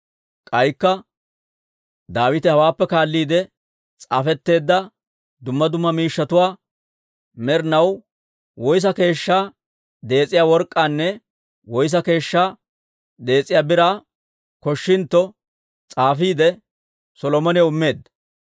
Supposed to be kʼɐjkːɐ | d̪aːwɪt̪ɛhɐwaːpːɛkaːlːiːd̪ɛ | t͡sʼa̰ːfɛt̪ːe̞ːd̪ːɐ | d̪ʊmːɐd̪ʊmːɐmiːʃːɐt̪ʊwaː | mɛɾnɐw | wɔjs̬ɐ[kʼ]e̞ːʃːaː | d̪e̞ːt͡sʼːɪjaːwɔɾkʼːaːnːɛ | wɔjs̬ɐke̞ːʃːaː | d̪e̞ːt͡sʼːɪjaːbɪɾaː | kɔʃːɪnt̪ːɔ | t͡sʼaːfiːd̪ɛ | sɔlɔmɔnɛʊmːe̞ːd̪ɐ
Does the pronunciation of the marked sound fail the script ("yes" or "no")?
yes